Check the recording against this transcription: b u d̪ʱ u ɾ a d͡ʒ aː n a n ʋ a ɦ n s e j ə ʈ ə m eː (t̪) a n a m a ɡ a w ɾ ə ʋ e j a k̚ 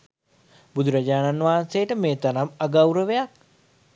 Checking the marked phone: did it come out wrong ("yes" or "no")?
no